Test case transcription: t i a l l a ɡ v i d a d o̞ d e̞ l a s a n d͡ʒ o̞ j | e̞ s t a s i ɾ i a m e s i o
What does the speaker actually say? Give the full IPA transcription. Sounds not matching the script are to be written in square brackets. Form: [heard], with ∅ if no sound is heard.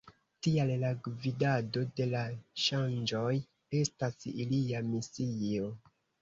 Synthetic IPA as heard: t i a l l a ɡ v i d a d o̞ d e̞ l a [ʃ] a n d͡ʒ o̞ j | e̞ s t a s i [l] i a m [i] s i o